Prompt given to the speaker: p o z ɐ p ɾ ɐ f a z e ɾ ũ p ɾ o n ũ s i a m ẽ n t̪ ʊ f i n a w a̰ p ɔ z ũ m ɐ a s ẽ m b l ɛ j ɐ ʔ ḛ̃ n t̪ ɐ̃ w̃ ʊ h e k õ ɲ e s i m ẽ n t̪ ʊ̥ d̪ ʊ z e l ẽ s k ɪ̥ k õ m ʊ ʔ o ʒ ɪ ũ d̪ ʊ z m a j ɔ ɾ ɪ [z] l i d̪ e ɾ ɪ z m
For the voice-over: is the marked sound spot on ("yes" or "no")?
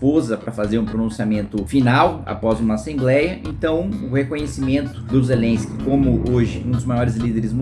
yes